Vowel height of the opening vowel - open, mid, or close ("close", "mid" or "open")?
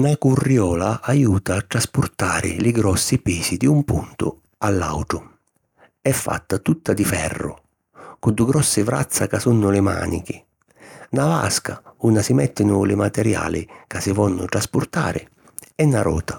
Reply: open